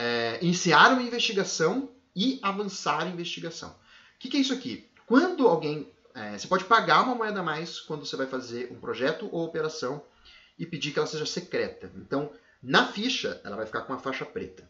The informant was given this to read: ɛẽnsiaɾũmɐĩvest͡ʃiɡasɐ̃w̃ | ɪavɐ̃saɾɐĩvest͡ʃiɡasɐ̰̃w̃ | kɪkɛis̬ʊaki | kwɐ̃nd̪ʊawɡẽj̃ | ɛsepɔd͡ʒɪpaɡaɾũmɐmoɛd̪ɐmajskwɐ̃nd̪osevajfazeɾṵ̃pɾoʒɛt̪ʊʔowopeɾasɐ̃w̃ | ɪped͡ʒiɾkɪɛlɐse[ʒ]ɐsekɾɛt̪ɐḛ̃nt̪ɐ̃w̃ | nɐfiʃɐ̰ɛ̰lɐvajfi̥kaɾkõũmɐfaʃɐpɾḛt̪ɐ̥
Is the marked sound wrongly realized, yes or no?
no